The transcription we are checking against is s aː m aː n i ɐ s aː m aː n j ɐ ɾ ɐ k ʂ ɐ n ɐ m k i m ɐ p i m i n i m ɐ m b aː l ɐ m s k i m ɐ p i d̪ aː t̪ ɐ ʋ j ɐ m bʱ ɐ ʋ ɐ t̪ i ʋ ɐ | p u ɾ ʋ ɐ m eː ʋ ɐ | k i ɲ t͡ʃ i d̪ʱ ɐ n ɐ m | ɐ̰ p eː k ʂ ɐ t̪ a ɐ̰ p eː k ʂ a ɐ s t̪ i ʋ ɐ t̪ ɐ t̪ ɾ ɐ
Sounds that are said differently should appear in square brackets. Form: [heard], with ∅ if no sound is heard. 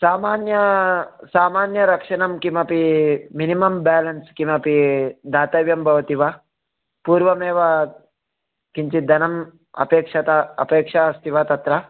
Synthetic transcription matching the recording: s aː m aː n [j] ɐ s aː m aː n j ɐ ɾ ɐ k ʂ ɐ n ɐ m k i m ɐ p i m i n i m ɐ m b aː l ɐ [n] s k i m ɐ p i d̪ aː t̪ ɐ ʋ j ɐ m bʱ ɐ ʋ ɐ t̪ i ʋ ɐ | p [uː] ɾ ʋ ɐ m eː ʋ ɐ | k i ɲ t͡ʃ i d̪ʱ ɐ n ɐ m | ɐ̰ p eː k ʂ ɐ t̪ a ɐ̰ p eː k ʂ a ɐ s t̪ i ʋ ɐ t̪ ɐ t̪ ɾ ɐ

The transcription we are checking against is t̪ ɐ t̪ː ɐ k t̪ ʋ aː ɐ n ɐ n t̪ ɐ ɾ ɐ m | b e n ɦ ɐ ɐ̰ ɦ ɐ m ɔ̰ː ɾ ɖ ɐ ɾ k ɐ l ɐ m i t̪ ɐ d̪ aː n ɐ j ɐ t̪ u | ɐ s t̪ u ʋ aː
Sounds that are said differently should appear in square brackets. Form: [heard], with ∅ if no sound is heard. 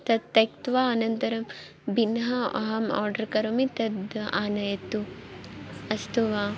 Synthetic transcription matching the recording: t̪ ɐ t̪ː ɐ k t̪ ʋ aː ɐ n ɐ n t̪ ɐ ɾ ɐ m | b [i] n ɦ ɐ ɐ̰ ɦ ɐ m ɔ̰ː ɾ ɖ ɐ ɾ k ɐ [ɾ] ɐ m i t̪ ɐ d̪ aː n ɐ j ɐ t̪ u | ɐ s t̪ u ʋ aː

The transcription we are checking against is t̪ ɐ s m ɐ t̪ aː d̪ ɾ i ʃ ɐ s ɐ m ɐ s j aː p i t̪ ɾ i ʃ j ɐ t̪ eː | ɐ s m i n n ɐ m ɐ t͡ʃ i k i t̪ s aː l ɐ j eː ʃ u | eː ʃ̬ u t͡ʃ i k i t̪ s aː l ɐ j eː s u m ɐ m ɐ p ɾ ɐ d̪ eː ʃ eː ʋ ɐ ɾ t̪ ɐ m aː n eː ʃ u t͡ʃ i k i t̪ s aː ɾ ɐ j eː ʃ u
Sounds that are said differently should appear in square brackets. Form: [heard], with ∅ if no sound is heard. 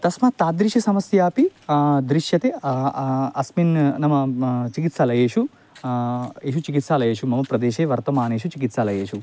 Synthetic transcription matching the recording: t̪ ɐ s m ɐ t̪ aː d̪ ɾ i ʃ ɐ s ɐ m ɐ s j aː p i [d̪] ɾ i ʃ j ɐ t̪ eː | ɐ s m i n n ɐ m ɐ t͡ʃ i k i t̪ s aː l ɐ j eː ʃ u | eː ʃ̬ u t͡ʃ i k i t̪ s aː l ɐ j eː [ʃ] u m ɐ m ɐ p ɾ ɐ d̪ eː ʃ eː ʋ ɐ ɾ t̪ ɐ m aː n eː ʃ u t͡ʃ i k i t̪ s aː [l] ɐ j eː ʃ u

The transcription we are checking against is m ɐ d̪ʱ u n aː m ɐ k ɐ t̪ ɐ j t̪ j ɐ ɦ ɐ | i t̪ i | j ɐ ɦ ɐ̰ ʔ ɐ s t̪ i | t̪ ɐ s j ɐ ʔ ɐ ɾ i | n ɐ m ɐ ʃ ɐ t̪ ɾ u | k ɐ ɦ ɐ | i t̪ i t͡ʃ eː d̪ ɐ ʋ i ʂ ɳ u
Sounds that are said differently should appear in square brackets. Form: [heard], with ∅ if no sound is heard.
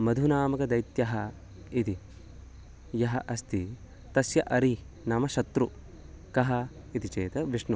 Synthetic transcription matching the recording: m ɐ d̪ʱ u n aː m ɐ k ɐ [d̪] ɐ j t̪ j ɐ ɦ ɐ | i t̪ i | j ɐ ɦ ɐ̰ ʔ ɐ s t̪ i | t̪ ɐ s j ɐ ʔ ɐ ɾ i | n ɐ m ɐ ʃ ɐ t̪ ɾ u | k ɐ ɦ ɐ | i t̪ i t͡ʃ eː [t̪] ɐ ʋ i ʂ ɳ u

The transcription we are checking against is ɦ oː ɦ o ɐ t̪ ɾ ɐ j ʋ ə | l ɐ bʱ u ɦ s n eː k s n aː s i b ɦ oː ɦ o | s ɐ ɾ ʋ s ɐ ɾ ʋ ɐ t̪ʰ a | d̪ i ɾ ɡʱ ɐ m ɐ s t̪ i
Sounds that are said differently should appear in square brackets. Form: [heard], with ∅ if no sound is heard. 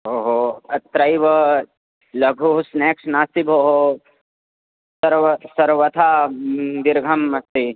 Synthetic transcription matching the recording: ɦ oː ɦ o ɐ t̪ ɾ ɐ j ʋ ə | l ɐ [ɡʱ] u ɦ s n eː k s n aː s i b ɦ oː ɦ o | s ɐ ɾ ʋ s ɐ ɾ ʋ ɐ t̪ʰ a | d̪ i ɾ ɡʱ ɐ m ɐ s t̪ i

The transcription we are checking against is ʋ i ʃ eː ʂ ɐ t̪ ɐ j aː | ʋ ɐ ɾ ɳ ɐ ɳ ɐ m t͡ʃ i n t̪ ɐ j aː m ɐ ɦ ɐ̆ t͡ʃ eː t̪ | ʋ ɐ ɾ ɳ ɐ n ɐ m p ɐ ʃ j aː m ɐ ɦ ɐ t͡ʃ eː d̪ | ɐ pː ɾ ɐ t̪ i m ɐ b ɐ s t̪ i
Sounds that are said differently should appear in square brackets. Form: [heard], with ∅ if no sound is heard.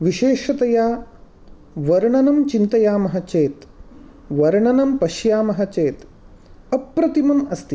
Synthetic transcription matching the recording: ʋ i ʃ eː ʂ ɐ t̪ ɐ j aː | ʋ ɐ ɾ ɳ ɐ [n] ɐ m t͡ʃ i n t̪ ɐ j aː m ɐ ɦ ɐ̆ t͡ʃ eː t̪ | ʋ ɐ ɾ ɳ ɐ n ɐ m p ɐ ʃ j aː m ɐ ɦ ɐ t͡ʃ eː [t̪] | ɐ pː ɾ ɐ t̪ i m ɐ [m] ɐ s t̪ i

